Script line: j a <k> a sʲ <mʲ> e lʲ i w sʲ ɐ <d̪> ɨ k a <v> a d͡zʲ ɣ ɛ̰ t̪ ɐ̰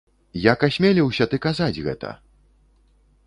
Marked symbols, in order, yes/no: yes, yes, no, no

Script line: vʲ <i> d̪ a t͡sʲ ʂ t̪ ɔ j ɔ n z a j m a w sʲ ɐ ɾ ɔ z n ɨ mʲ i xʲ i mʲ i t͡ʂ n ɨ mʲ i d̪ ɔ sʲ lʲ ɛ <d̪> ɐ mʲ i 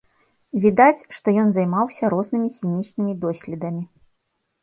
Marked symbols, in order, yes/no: yes, yes

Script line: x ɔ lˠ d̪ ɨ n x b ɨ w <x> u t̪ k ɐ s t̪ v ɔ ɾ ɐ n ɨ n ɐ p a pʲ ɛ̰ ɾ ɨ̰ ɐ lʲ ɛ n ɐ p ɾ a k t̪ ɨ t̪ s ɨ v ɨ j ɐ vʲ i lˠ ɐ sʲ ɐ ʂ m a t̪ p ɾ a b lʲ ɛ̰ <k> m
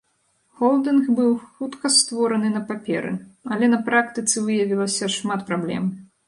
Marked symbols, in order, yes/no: yes, no

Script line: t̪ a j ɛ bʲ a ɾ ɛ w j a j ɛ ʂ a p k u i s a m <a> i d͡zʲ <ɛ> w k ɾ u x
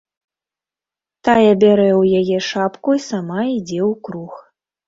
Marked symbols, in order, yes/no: yes, yes

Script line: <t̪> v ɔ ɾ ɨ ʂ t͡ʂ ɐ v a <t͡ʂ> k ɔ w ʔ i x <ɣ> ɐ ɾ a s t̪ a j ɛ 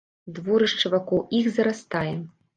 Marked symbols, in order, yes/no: no, no, no

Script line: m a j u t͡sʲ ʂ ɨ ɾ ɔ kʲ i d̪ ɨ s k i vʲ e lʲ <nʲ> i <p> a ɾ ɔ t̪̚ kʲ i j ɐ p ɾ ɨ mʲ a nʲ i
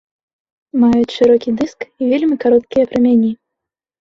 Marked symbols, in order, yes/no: no, no

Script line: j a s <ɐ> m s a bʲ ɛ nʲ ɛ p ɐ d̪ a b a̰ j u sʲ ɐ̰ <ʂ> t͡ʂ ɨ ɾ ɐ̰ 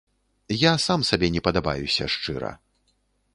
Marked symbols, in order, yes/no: no, yes

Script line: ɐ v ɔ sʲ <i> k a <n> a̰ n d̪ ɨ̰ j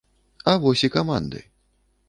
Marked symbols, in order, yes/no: yes, no

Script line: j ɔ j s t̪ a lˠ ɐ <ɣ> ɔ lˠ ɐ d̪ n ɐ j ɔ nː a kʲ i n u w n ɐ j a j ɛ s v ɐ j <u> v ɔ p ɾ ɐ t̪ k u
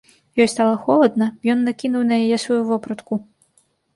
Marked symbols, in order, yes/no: no, yes

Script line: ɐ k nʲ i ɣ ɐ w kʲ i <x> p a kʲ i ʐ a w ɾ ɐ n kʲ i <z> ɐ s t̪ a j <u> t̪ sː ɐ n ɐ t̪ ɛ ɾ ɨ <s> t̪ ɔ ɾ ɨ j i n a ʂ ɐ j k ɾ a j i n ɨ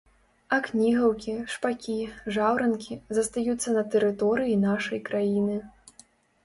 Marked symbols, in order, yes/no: no, yes, yes, no

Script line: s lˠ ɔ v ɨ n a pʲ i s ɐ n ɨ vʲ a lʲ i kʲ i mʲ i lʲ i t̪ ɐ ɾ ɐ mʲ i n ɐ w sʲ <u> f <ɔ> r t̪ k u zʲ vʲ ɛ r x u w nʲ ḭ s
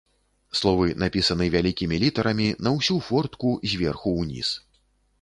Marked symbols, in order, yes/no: yes, yes

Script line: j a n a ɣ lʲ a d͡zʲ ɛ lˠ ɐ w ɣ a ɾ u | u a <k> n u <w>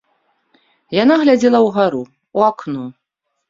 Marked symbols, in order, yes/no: yes, no

